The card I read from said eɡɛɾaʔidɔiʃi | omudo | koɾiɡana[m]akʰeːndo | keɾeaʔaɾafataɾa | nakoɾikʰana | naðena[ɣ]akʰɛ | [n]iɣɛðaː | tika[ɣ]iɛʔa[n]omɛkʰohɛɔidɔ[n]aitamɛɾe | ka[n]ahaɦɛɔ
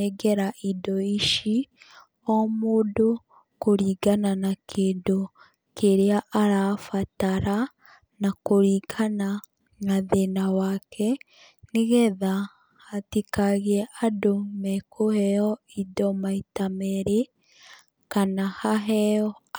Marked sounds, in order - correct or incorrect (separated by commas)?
incorrect, incorrect, correct, correct, incorrect, incorrect, correct